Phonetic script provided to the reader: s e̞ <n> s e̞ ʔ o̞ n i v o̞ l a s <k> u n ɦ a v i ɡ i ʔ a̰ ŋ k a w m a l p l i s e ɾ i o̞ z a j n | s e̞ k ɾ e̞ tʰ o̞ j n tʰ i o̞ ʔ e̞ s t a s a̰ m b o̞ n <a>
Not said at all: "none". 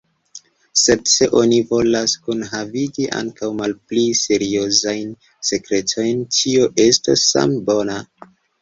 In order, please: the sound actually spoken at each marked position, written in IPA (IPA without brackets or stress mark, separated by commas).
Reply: d, k, a